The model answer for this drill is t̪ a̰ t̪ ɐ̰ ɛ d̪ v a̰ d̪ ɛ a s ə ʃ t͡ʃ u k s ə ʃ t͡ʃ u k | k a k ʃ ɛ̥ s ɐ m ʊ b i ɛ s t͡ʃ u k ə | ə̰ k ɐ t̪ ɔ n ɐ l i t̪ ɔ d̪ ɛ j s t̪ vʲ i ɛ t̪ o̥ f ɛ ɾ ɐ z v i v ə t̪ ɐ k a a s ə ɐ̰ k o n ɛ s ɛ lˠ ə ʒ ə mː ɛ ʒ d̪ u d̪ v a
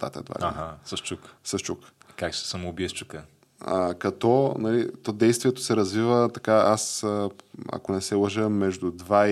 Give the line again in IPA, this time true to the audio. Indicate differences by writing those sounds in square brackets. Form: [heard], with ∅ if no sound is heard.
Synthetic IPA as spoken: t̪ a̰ t̪ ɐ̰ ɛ d̪ v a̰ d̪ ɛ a s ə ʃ t͡ʃ u k s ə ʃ t͡ʃ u k | k a k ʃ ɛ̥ s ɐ m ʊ b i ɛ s t͡ʃ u k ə | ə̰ k ɐ t̪ ɔ n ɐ l i t̪ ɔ d̪ ɛ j s t̪ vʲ i ɛ t̪ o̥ [s] ɛ ɾ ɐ z v i v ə t̪ ɐ k a a s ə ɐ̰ k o n ɛ s ɛ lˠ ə ʒ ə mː ɛ ʒ d̪ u d̪ v a